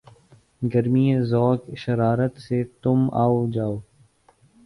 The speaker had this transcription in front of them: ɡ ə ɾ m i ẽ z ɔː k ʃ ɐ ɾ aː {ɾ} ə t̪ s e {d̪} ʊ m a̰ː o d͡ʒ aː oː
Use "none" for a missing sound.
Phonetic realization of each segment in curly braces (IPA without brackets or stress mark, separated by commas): ɾ, t̪